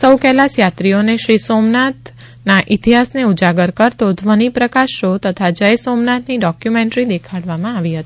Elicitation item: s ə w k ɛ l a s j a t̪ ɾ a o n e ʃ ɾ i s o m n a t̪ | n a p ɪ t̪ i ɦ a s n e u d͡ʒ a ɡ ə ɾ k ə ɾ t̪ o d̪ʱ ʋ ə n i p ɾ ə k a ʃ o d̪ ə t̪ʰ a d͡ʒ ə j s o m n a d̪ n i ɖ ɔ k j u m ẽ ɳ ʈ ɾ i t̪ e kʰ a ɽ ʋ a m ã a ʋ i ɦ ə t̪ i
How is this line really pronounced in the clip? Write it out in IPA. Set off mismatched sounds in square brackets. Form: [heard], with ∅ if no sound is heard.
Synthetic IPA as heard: s ə w k ɛ l a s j a t̪ ɾ [i] o n e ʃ ɾ i s o m n a t̪ | n a [ʔ] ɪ t̪ i ɦ a s n e u d͡ʒ a ɡ ə ɾ k ə ɾ t̪ o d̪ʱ ʋ ə n i p ɾ ə k a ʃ o [t̪] ə t̪ʰ a d͡ʒ ə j s o m n a [t̪] n i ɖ ɔ k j u m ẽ ɳ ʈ ɾ i [d̪] e kʰ a ɽ ʋ a m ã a ʋ i ɦ ə t̪ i

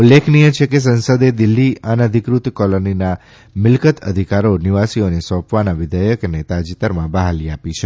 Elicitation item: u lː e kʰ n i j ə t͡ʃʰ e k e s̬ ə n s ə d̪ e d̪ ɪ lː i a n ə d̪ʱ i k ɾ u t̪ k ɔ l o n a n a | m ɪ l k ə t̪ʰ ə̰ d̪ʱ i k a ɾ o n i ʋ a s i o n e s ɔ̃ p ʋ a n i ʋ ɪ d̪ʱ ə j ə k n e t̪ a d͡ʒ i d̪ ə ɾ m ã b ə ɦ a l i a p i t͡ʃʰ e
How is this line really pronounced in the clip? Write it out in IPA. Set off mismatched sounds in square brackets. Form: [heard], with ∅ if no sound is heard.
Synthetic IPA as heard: u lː e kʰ n i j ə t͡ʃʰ e k e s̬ ə n s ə d̪ e d̪ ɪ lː i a n ə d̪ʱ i k ɾ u t̪ k ɔ l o n [i] n a | m ɪ l k ə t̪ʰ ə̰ d̪ʱ i k a ɾ o n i ʋ a s i o n e s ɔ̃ p ʋ a n [a] ʋ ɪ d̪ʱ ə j ə k n e t̪ a d͡ʒ i [t̪] ə ɾ m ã b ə ɦ a l i a p i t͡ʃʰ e

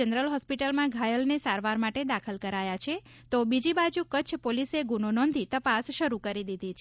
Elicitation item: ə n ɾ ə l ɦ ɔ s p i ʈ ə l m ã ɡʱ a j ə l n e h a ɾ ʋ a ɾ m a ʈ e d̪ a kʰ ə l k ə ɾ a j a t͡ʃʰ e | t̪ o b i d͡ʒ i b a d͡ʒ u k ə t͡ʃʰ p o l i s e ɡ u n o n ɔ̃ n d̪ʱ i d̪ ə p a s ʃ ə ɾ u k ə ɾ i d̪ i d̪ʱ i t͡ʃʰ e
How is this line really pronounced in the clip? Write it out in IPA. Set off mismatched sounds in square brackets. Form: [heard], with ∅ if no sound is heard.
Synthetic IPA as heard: ə n ɾ ə l ɦ ɔ s p i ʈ ə l m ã ɡʱ a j ə l n e [s] a ɾ ʋ a ɾ m a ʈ e d̪ a kʰ ə l k ə ɾ a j a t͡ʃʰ e | t̪ o b i d͡ʒ i b a d͡ʒ u k ə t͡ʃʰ p o l i s e ɡ u n o n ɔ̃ n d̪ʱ i [t̪] ə p a s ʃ ə ɾ u k ə ɾ i d̪ i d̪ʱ i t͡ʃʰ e

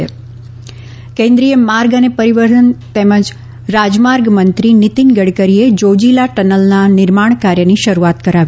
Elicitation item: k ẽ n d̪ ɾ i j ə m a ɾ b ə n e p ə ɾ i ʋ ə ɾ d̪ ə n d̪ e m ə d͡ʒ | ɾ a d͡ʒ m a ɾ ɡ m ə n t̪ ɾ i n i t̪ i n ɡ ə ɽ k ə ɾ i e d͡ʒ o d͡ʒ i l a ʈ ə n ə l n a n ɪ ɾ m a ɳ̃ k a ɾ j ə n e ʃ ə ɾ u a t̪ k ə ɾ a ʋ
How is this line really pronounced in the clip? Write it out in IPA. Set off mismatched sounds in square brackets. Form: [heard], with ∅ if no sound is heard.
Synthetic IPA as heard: k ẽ n d̪ ɾ i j ə m a ɾ [ɡ] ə n e p ə ɾ i ʋ ə ɾ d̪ ə n [t̪] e m ə d͡ʒ | ɾ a d͡ʒ m a ɾ ɡ m ə n t̪ ɾ i n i t̪ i n ɡ ə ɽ k ə ɾ i e d͡ʒ o d͡ʒ i l a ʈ ə n ə l n a n ɪ ɾ m a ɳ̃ k a ɾ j ə n [i] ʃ ə ɾ u a t̪ k ə ɾ a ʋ

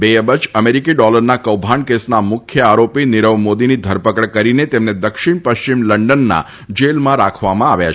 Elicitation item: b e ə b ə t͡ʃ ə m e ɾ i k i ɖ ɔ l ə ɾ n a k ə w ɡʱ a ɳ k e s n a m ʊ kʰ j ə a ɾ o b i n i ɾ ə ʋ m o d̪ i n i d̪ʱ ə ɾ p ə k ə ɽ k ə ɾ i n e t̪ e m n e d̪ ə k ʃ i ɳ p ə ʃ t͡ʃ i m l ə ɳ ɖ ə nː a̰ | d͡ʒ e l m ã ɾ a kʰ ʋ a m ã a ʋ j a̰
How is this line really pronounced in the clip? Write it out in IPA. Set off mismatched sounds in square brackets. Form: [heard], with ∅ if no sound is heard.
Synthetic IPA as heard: b e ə b ə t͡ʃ ə m e ɾ i k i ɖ ɔ l ə ɾ n a k ə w [bʱ] a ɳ k e s n a m ʊ kʰ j ə a ɾ o [p] i n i ɾ ə ʋ m o d̪ i n i d̪ʱ ə ɾ p ə k ə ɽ k ə ɾ i n e t̪ e m n e d̪ ə k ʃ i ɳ p ə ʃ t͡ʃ i m l ə ɳ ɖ ə nː a̰ | d͡ʒ e l m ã ɾ a kʰ ʋ a m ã a ʋ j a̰

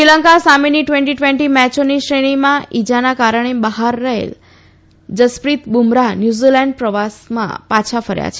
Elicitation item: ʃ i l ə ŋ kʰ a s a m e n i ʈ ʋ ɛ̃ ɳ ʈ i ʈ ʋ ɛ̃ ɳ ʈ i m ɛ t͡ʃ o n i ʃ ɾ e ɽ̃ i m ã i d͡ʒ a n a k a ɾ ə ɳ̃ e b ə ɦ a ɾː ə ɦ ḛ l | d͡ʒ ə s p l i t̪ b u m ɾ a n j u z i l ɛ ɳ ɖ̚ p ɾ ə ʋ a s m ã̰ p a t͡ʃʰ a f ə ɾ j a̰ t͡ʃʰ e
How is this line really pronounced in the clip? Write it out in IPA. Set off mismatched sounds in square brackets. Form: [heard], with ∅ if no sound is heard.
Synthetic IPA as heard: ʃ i l ə ŋ [k] a s a m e n i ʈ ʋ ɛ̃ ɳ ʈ i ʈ ʋ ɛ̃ ɳ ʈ i m ɛ t͡ʃ o n i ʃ ɾ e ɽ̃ i m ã i d͡ʒ a n a k a ɾ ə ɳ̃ e b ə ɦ a ɾː ə ɦ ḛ l | d͡ʒ ə s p [ɾ] i t̪ b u m ɾ a n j u z i l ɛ ɳ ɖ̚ p ɾ ə ʋ a s m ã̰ p a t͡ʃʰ a f ə ɾ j a̰ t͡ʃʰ e

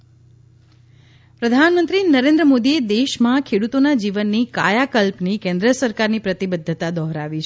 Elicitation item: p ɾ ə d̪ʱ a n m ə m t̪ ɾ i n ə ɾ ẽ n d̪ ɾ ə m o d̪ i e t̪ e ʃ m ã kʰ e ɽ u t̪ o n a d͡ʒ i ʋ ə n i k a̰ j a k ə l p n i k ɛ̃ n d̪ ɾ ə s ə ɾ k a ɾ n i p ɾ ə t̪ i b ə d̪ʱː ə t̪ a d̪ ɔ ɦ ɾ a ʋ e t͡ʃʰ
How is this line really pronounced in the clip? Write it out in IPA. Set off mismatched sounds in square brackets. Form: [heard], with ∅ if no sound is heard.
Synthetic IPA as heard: p ɾ ə d̪ʱ a n m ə [n] t̪ ɾ i n ə ɾ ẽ n d̪ ɾ ə m o d̪ i e [d̪] e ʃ m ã kʰ e ɽ u t̪ o n a d͡ʒ i ʋ ə [nː] i k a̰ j a k ə l p n i k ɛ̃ n d̪ ɾ ə s ə ɾ k a ɾ n i p ɾ ə t̪ i b ə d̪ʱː ə t̪ a d̪ ɔ ɦ ɾ a ʋ [i] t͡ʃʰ

